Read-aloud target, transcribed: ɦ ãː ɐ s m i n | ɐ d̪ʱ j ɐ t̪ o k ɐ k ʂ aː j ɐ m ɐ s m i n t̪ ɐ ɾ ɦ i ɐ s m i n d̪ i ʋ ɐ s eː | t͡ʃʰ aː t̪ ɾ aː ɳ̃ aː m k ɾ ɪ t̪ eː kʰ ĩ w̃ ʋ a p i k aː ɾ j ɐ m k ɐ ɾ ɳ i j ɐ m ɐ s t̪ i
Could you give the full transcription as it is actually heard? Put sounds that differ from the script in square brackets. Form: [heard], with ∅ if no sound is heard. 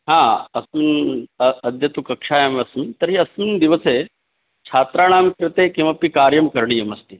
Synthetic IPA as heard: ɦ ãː ɐ s m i n | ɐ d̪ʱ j ɐ t̪ [u] k ɐ k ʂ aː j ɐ m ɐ s m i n t̪ ɐ ɾ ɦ i ɐ s m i n d̪ i ʋ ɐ s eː | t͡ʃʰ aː t̪ ɾ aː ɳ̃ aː m k ɾ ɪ t̪ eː [k] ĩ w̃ ʋ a p i k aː ɾ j ɐ m k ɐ ɾ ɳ i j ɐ m ɐ s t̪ i